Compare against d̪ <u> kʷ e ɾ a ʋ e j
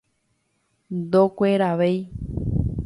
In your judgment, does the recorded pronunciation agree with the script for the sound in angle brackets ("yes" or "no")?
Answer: no